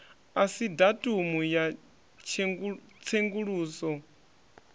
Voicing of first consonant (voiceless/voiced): voiceless